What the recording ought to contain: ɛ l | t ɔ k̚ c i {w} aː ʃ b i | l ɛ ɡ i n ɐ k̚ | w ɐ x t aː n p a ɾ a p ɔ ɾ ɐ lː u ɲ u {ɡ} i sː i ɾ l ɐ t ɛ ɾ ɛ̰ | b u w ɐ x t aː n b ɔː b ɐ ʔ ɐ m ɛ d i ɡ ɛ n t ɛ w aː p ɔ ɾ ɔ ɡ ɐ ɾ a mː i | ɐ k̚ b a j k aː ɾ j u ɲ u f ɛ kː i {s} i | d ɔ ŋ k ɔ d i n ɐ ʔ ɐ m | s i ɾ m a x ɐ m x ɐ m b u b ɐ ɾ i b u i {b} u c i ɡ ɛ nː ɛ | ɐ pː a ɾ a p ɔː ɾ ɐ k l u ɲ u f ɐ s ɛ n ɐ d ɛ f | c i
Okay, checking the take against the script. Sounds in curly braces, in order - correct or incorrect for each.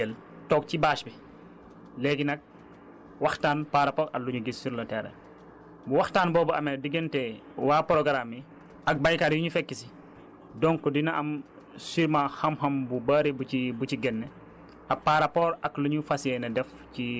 incorrect: b, correct, correct, correct

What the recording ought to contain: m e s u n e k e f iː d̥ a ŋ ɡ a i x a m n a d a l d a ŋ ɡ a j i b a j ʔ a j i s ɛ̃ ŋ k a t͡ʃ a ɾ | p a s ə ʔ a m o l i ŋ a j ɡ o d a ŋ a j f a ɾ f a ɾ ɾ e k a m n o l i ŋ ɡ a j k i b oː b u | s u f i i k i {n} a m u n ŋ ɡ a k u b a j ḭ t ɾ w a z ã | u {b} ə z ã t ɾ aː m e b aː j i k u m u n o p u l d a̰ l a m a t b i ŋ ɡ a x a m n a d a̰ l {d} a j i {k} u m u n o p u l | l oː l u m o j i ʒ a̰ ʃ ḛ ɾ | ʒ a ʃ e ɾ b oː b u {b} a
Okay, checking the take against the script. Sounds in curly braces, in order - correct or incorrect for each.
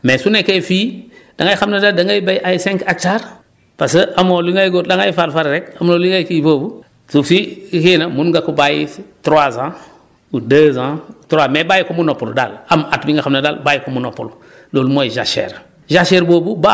correct, incorrect: d, incorrect: b, correct, correct

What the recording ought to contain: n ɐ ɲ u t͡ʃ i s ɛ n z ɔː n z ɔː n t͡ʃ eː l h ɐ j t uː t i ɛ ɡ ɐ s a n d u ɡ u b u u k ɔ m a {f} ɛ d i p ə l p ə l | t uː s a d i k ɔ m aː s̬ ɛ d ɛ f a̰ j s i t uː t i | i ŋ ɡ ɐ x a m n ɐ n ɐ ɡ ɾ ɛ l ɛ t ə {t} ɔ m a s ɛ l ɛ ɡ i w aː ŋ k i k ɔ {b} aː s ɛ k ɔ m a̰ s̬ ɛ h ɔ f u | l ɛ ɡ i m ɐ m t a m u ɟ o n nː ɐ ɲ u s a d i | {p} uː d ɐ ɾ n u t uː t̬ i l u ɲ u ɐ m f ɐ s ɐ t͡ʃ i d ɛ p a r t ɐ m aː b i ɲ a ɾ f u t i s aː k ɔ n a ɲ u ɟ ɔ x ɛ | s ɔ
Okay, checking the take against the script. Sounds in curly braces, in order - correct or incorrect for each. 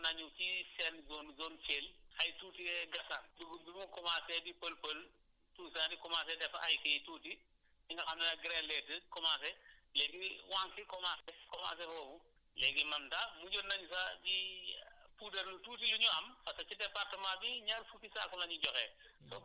incorrect: s, incorrect: k, incorrect: m, correct

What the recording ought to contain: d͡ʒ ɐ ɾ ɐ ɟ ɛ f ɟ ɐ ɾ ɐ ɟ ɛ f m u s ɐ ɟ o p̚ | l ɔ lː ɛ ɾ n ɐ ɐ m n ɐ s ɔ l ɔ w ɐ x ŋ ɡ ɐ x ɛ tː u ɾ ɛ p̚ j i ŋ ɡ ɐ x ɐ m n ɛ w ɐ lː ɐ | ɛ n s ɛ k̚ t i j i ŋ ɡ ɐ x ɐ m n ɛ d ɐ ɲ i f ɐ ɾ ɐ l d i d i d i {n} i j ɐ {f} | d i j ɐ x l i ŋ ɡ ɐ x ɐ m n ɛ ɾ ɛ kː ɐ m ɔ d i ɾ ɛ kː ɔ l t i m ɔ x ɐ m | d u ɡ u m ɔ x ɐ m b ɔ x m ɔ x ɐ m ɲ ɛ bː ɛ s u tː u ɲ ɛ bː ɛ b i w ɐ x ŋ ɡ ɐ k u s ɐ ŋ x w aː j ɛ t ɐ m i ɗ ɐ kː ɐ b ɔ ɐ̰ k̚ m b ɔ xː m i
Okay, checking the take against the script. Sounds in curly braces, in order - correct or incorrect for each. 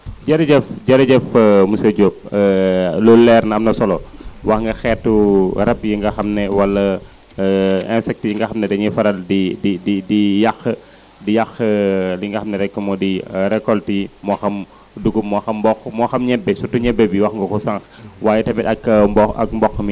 incorrect: d, incorrect: x

